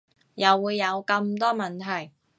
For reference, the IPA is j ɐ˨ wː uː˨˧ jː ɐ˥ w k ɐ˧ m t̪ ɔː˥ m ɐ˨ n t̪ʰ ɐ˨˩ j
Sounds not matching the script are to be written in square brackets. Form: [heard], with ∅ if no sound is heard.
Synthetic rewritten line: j ɐ˨ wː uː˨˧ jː [ɐ˨˧] w k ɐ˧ m t̪ ɔː˥ m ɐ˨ n t̪ʰ ɐ˨˩ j